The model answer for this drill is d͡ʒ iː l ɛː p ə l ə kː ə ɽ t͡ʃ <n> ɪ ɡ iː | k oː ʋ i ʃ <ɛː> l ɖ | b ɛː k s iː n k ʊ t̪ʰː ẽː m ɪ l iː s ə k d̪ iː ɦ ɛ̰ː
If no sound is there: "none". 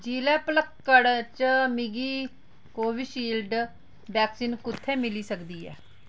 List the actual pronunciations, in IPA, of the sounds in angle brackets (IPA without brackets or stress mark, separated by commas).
m, iː